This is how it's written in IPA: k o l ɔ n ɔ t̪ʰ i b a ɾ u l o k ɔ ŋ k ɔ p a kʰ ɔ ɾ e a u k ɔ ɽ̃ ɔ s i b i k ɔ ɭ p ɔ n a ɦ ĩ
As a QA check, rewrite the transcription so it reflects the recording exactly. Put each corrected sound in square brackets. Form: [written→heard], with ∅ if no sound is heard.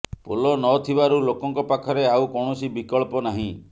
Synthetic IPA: [k→p] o l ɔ n ɔ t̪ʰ i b a ɾ u l o k ɔ ŋ k ɔ p a kʰ ɔ ɾ e a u k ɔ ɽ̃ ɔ s i b i k ɔ ɭ p ɔ n a ɦ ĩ